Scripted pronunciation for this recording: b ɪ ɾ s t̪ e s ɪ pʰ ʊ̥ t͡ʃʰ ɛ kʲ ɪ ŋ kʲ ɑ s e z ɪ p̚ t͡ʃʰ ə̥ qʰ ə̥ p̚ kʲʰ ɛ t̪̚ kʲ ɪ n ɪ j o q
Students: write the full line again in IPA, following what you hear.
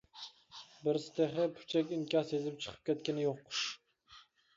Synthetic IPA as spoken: b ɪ ɾ s t̪ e χ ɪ pʰ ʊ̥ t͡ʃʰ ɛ kʲ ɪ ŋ kʲ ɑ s e z ɪ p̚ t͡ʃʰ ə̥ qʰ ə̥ p̚ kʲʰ ɛ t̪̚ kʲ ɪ n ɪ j o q